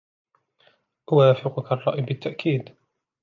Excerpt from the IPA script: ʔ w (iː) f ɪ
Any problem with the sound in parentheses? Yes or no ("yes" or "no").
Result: yes